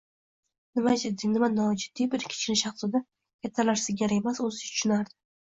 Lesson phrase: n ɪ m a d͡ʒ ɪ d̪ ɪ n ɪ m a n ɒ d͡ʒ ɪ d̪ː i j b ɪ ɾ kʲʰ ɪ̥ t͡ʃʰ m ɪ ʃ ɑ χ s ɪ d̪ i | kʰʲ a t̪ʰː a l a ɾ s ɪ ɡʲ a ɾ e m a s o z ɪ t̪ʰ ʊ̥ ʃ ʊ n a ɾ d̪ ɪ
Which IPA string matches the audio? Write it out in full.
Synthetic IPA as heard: n ɪ m a d͡ʒ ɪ d̪ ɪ n ɪ m a n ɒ d͡ʒ ɪ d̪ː i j b ɪ ɾ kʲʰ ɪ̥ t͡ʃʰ n ɪ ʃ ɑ χ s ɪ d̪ a | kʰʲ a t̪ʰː a l a ɾ s ɪ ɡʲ a ɾ e m a s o z ɪ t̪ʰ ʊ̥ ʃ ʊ n a ɾ d̪ ɪ